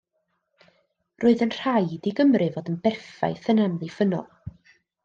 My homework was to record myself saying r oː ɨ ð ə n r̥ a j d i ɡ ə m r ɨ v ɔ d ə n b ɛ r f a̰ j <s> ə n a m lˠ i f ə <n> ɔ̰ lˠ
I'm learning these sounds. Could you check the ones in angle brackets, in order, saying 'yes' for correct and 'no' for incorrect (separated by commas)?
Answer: no, yes